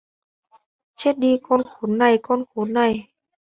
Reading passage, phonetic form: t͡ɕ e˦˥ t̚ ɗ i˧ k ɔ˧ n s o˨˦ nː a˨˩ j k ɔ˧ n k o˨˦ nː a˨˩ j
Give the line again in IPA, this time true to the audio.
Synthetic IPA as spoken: t͡ɕ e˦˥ t̚ ɗ i˧ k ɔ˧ n x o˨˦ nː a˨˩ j k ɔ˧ n x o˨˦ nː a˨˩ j